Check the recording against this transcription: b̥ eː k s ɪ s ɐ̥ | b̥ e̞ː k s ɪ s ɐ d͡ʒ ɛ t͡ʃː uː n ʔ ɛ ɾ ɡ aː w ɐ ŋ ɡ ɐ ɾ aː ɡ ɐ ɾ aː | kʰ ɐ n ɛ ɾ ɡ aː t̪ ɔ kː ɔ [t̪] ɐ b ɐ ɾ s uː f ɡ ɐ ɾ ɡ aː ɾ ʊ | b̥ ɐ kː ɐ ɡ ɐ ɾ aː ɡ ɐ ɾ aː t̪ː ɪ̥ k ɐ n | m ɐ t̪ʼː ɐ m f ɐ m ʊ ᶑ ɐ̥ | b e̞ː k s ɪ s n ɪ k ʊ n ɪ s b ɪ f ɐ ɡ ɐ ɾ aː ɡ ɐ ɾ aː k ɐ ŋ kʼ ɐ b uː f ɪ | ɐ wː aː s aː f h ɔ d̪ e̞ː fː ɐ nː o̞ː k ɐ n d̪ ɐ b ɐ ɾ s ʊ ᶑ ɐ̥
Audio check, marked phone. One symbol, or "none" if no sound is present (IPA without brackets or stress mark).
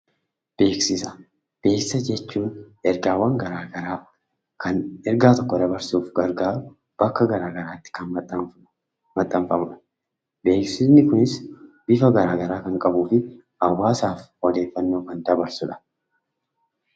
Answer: d̪